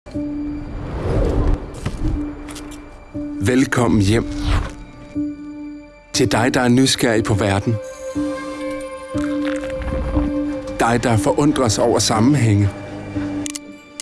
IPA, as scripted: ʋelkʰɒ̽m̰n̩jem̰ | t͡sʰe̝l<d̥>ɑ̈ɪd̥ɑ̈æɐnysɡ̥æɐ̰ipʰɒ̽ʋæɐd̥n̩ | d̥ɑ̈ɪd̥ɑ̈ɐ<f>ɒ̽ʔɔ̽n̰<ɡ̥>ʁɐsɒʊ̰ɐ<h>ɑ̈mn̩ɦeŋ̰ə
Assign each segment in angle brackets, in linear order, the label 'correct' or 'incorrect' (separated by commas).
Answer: correct, correct, incorrect, incorrect